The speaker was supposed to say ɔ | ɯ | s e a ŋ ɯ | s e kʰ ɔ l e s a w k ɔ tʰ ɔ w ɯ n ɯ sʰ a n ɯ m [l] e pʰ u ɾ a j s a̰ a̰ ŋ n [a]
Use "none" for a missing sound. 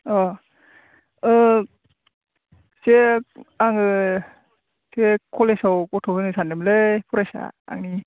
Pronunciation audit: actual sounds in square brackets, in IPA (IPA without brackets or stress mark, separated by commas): l, i